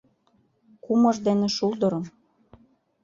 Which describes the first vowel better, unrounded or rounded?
rounded